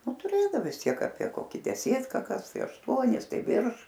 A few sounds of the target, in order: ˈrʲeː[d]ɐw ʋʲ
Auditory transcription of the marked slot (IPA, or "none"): d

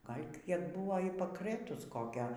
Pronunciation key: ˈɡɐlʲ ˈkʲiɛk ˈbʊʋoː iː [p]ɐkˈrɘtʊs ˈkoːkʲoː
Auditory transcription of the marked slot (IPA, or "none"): p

